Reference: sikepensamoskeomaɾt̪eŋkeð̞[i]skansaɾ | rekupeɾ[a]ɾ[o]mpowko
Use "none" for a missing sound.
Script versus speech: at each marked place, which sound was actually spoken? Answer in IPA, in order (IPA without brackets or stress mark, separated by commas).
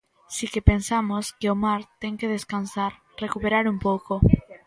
e, a, u